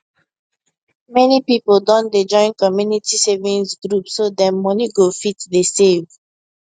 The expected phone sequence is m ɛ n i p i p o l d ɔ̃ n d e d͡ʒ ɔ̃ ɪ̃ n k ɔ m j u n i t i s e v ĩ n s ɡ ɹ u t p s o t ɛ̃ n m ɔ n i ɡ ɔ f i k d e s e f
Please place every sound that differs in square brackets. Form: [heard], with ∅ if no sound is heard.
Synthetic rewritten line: m ɛ n i p i p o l d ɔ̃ n d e d͡ʒ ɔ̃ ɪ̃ n k ɔ m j u n i t i s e v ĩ n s ɡ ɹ u [∅] p s o [d] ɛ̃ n m ɔ n i ɡ [o] f i [t] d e s e [v]

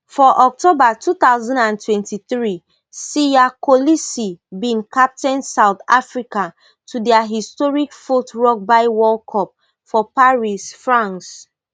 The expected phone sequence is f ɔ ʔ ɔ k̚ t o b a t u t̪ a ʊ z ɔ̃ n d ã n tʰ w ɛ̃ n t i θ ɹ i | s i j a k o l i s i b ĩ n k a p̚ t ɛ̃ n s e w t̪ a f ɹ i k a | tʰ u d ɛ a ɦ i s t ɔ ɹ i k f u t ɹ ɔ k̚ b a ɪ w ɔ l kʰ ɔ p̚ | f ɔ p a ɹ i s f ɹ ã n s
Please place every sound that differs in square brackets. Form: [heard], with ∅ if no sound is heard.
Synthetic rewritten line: f ɔ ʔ ɔ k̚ t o b a t u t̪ a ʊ z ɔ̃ n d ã n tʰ w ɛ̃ n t i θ ɹ i | s i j a k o l i s i b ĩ n k a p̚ t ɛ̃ n s [a] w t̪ a f ɹ i k a | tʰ u d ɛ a ɦ i s t ɔ ɹ i k f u t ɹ ɔ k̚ b a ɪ w ɔ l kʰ ɔ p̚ | f ɔ p a ɹ i s f ɹ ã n s

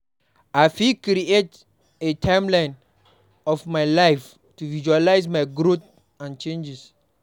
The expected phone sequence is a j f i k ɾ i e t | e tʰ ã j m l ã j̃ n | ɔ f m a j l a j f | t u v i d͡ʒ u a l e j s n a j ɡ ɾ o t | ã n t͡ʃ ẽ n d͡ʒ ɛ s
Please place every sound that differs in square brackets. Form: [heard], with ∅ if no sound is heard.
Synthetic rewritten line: a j f i k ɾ i e t | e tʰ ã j m l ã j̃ n | ɔ f m a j l a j f | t u v i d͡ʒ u a l [a] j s [m] a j ɡ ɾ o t | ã n t͡ʃ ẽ n d͡ʒ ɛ s

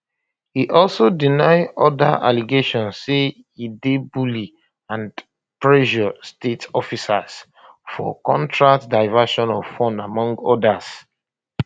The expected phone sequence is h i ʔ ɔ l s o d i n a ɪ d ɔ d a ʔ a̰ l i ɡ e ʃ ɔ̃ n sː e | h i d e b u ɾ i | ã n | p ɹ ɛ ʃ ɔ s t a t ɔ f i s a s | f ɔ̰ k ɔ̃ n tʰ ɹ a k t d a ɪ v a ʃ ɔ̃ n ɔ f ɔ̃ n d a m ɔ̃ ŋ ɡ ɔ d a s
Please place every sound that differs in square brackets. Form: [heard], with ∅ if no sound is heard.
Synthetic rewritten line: h i ʔ ɔ l s o d i n a ɪ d ɔ d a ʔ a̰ l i ɡ e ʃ ɔ̃ n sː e | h i d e b u [l] i | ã n | p ɹ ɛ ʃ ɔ s t [e] t ɔ f i s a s | f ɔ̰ k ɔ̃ n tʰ ɹ a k t d a ɪ v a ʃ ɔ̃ n ɔ f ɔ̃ n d a m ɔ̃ ŋ ɡ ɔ d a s

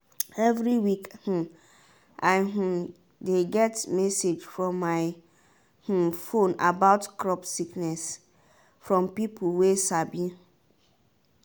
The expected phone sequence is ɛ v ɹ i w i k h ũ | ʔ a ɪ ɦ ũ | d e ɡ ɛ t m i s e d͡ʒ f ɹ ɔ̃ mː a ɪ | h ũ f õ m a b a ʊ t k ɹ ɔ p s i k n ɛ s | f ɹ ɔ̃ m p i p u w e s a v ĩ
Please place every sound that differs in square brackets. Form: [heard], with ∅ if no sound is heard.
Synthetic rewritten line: ɛ v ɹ i w i k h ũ | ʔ a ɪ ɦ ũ | d e ɡ ɛ t m [ɛ] s e d͡ʒ f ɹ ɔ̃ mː a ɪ | h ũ f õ [n] a b a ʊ t k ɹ ɔ p s i k n ɛ s | f ɹ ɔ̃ m p i p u w e s a [b] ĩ

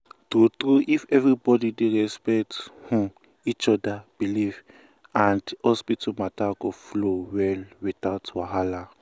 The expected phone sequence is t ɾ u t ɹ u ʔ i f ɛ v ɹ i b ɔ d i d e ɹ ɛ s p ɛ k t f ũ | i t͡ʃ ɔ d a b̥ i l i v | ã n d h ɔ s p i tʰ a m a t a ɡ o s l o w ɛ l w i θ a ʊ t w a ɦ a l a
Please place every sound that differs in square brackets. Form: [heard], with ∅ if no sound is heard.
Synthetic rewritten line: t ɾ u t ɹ u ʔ i f ɛ v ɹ i b ɔ d i d e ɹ ɛ s p ɛ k t [h] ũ | i t͡ʃ ɔ d a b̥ i l i v | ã n d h ɔ s p i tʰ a m a t a ɡ o [f] l o w ɛ l w i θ a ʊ t w a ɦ a l a

